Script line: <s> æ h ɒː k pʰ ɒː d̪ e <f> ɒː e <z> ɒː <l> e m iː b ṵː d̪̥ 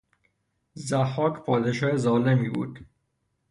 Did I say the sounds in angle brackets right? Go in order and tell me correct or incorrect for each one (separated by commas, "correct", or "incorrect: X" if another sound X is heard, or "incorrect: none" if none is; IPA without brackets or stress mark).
incorrect: z, incorrect: ʃ, correct, correct